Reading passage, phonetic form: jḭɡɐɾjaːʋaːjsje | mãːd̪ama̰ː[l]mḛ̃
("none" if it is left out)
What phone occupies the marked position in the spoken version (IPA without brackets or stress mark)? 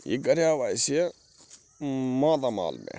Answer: l